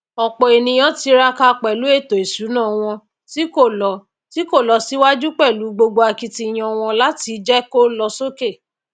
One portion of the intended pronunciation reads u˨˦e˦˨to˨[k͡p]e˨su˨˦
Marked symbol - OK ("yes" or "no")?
no